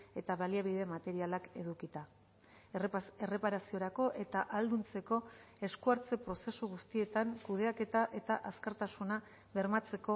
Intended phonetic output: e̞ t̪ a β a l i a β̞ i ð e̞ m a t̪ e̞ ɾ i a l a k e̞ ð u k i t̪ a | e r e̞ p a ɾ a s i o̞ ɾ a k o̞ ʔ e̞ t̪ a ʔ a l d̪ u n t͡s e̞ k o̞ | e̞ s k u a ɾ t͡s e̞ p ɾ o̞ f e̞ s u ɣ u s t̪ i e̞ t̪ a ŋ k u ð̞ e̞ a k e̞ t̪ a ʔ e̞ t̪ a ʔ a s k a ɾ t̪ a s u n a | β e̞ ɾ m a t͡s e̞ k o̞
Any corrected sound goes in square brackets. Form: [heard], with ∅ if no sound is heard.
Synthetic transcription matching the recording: e̞ t̪ a β a l i a β̞ i ð e̞ m a t̪ e̞ ɾ i a l a k e̞ ð u k i t̪ a | e r e̞ p a ɾ a s i o̞ ɾ a k o̞ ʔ e̞ t̪ a ʔ a l d̪ u n t͡s e̞ k o̞ | e̞ s k u a ɾ t͡s e̞ p ɾ o̞ [s] e̞ s u ɣ u s t̪ i e̞ t̪ a ŋ k u ð̞ e̞ a k e̞ t̪ a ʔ e̞ t̪ a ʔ a s k a ɾ t̪ a s u n a | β e̞ ɾ m a t͡s e̞ k o̞

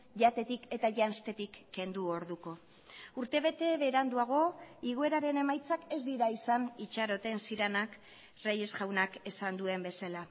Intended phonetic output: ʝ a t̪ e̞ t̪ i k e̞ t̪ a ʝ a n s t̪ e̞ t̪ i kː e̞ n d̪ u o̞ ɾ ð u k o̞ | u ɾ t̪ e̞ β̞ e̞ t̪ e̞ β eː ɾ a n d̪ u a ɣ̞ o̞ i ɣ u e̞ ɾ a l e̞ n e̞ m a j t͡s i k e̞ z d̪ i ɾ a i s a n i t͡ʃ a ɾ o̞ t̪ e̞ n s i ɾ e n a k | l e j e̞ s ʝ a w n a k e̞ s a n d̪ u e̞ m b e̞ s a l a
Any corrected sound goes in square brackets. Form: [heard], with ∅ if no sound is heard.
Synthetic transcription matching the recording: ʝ a t̪ e̞ t̪ i k e̞ t̪ a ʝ a n s t̪ e̞ t̪ i kː e̞ n d̪ u o̞ ɾ ð u k o̞ | u ɾ t̪ e̞ β̞ e̞ t̪ e̞ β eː ɾ a n d̪ u a ɣ̞ o̞ i ɣ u e̞ ɾ a [ɾ] e̞ n e̞ m a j t͡s [a] k e̞ z d̪ i ɾ a i s a n i t͡ʃ a ɾ o̞ t̪ e̞ n s i ɾ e n a k | [r] e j e̞ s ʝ a w n a k e̞ s a n d̪ u e̞ m b e̞ s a l a

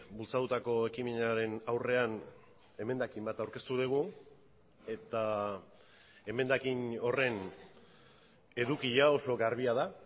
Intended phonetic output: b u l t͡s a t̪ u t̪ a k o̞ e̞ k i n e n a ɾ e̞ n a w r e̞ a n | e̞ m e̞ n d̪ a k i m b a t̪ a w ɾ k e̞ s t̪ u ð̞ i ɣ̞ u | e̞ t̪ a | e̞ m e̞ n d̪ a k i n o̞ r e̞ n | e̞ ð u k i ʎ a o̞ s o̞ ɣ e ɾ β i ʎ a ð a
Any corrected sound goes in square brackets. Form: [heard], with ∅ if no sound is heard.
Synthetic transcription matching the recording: b u l t͡s a t̪ u t̪ a k o̞ e̞ k i [m] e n a ɾ e̞ n a w r e̞ a n | e̞ m e̞ n d̪ a k i m b a t̪ a w ɾ k e̞ s t̪ u ð̞ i ɣ̞ u | e̞ t̪ a | e̞ m e̞ n d̪ a k i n o̞ r e̞ n | e̞ ð u k i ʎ a o̞ s o̞ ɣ [a] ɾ β i [∅] a ð a

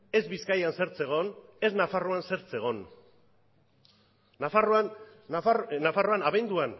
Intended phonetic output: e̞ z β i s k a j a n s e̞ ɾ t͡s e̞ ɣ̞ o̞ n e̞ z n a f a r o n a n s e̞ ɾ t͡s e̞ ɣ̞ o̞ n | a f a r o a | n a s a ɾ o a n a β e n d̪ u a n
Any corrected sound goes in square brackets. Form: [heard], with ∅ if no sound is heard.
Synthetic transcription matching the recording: e̞ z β i s k a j a n s e̞ ɾ t͡s e̞ ɣ̞ o̞ n e̞ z n a f a r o [∅] a n s e̞ ɾ t͡s e̞ ɣ̞ o̞ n | a f a r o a | n a [f] a [r] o a n a β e n d̪ u a n

